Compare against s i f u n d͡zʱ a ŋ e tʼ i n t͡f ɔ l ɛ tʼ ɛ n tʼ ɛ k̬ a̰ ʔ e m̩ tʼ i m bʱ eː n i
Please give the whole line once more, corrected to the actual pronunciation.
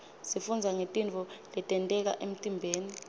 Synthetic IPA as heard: s i f u n d͡zʱ a ŋ e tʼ i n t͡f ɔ l ɛ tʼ ɛ n tʼ ɛ k̬ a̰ ʔ e m̩ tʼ i m bʱ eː n i